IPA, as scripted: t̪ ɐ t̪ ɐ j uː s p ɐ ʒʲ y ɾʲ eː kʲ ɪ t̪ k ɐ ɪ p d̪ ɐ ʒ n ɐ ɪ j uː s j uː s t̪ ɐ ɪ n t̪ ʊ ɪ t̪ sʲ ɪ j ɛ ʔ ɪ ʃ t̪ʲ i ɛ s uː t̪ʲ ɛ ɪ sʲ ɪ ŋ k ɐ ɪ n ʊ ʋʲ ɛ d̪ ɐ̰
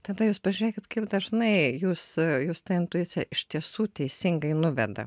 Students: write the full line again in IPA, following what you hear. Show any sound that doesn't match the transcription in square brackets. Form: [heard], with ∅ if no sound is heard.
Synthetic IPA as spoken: t̪ ɐ [d̪] ɐ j uː s p ɐ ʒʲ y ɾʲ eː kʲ ɪ t̪ k ɐ ɪ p d̪ ɐ ʒ n ɐ ɪ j uː s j uː s t̪ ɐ ɪ n t̪ ʊ ɪ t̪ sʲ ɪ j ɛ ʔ ɪ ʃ t̪ʲ i ɛ s uː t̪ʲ ɛ ɪ sʲ ɪ ŋ [ɡ] ɐ ɪ n ʊ ʋʲ ɛ d̪ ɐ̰